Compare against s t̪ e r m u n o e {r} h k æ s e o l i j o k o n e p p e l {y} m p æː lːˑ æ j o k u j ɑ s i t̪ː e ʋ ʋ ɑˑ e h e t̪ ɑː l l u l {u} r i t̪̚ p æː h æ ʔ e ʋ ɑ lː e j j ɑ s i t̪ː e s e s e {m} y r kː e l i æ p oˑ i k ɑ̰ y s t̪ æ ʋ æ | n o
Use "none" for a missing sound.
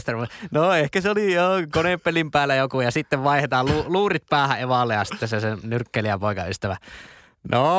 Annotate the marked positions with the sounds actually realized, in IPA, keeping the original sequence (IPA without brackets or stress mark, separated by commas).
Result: none, i, uː, n